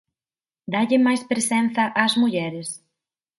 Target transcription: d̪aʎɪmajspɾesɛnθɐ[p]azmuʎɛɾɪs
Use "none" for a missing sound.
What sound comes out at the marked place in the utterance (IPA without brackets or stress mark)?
ʔ